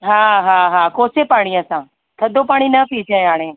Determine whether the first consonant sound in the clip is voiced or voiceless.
voiced